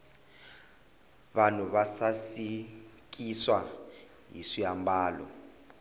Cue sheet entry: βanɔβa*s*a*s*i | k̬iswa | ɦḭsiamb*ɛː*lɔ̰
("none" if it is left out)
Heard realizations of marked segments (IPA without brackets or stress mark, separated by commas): s, s, aː